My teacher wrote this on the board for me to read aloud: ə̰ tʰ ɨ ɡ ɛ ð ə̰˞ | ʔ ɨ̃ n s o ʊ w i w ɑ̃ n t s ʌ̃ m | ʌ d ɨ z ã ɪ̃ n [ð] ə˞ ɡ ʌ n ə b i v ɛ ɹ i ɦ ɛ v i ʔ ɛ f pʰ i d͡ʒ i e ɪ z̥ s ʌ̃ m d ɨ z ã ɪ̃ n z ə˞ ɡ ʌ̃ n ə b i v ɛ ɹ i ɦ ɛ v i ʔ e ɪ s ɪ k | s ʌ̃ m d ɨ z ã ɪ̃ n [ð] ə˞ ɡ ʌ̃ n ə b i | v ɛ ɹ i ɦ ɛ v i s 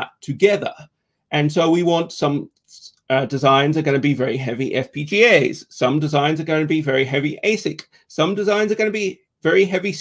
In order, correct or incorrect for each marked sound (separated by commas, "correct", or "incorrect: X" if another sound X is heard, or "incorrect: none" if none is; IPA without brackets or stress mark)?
incorrect: z, incorrect: z